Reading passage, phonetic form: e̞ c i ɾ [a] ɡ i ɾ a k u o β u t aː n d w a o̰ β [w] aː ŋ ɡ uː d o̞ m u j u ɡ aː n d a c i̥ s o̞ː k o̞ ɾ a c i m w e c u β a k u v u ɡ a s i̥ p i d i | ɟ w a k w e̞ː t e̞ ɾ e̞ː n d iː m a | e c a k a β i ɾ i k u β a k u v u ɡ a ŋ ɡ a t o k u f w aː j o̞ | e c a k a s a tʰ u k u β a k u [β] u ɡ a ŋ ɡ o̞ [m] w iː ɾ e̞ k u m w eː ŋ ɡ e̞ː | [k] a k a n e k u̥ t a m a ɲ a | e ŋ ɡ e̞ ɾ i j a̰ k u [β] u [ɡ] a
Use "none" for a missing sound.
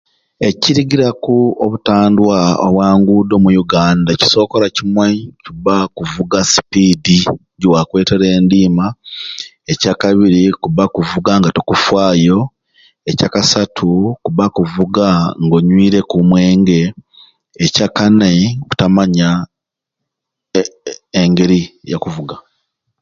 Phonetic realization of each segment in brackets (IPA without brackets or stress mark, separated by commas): i, w, v, ɲ, c, v, ɡ